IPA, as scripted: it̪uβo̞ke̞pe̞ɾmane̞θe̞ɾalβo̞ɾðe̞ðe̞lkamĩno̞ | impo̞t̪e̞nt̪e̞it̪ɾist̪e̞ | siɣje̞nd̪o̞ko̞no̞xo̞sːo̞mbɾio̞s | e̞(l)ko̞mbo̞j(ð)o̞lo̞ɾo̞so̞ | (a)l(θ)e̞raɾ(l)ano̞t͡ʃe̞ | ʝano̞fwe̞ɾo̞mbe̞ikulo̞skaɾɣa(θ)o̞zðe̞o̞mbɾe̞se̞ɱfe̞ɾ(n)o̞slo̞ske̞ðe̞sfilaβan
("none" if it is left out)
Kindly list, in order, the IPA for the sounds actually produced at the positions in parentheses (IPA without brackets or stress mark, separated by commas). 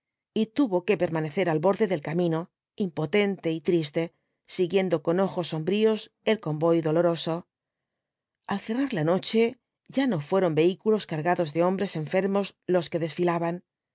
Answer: l, ð, a, θ, l, ð, m